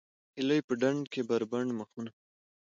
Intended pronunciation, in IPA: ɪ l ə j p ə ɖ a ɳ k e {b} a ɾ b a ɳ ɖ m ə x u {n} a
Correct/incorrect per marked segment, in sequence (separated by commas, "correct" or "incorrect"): correct, correct